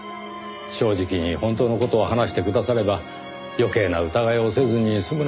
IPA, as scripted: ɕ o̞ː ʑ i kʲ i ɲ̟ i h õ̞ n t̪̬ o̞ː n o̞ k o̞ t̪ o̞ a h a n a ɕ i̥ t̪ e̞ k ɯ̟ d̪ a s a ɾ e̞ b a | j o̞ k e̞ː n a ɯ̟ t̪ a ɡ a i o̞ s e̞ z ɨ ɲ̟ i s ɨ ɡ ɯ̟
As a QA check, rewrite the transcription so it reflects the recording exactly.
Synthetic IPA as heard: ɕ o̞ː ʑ i kʲ i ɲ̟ i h õ̞ n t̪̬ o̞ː n o̞ k o̞ t̪ o̞ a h a n a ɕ i̥ t̪ e̞ k ɯ̟ d̪ a s a ɾ e̞ b a | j o̞ k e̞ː n a ɯ̟ t̪ a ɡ a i o̞ s e̞ z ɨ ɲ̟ i s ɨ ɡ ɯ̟